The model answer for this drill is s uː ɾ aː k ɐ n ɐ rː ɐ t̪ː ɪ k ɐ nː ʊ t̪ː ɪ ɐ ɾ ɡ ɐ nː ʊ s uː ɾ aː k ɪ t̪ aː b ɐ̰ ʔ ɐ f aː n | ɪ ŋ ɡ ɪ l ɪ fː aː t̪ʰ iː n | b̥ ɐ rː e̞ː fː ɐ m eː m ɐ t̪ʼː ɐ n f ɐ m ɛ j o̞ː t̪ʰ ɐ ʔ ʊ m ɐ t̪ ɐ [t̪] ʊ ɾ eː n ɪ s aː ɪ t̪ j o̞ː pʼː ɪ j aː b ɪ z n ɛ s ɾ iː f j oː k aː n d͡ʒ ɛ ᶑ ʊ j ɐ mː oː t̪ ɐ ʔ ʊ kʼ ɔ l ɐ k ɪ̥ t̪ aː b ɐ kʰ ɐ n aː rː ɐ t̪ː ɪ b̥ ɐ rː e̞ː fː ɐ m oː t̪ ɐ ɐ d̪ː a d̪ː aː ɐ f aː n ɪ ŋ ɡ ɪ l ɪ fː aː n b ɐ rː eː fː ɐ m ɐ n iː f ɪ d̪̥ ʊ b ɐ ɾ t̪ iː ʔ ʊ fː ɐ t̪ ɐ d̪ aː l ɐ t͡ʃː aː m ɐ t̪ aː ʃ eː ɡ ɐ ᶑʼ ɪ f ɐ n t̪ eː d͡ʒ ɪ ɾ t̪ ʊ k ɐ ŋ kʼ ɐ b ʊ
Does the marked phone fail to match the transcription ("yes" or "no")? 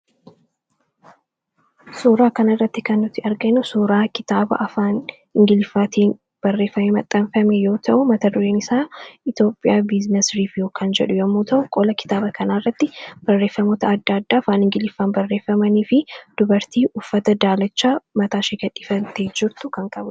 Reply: yes